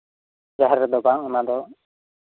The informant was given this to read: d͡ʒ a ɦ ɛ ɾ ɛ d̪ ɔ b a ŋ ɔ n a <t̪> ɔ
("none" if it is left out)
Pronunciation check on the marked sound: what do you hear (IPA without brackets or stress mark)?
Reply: d̪